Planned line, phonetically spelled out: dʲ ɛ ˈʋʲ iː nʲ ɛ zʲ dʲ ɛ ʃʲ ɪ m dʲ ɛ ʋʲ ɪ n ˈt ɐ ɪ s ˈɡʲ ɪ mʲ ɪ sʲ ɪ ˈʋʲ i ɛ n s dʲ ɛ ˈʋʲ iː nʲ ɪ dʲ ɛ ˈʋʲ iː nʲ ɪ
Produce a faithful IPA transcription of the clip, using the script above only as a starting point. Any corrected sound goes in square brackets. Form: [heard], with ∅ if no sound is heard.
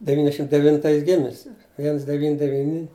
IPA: dʲ ɛ ˈʋʲ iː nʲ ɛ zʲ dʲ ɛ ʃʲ ɪ m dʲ ɛ ʋʲ ɪ n ˈt ɐ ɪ s ˈɡʲ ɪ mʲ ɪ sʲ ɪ ˈʋʲ i ɛ n s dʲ ɛ ˈʋʲ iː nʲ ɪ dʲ ɛ ˈʋʲ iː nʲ ɪ